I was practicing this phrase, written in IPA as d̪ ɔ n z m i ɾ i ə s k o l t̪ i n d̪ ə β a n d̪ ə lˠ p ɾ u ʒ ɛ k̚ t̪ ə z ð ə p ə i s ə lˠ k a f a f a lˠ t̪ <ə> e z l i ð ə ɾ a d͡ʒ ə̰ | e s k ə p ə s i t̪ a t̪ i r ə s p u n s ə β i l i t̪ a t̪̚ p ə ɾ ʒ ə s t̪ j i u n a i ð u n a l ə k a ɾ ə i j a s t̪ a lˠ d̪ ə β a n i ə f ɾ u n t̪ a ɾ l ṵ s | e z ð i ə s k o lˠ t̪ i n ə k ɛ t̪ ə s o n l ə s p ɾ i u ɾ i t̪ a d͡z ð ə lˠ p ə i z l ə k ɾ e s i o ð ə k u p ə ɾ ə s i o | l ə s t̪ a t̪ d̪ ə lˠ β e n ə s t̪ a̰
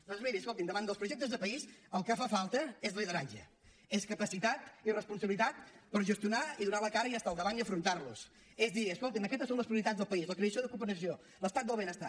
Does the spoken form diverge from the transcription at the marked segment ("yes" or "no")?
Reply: no